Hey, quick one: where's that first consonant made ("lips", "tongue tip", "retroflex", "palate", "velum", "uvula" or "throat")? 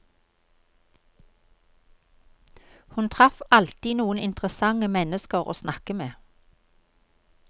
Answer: throat